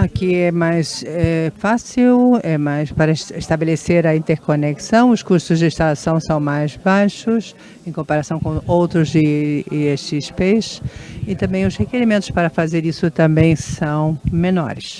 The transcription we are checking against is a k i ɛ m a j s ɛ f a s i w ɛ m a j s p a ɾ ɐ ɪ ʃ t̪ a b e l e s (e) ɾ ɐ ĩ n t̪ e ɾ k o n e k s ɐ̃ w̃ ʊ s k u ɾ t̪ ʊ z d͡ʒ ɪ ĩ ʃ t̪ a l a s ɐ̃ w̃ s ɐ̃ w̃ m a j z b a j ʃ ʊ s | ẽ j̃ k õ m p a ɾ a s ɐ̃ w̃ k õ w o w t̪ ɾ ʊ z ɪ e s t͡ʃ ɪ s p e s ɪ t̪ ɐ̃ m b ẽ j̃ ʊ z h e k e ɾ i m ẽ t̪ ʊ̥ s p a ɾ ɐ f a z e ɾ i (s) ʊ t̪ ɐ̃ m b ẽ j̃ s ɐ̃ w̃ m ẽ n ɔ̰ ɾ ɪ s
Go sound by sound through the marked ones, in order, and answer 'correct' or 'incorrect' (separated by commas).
correct, correct